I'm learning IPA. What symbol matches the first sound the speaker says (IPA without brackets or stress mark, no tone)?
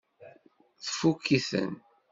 θ